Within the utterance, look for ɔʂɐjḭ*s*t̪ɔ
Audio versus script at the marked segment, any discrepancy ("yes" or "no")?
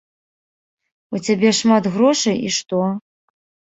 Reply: yes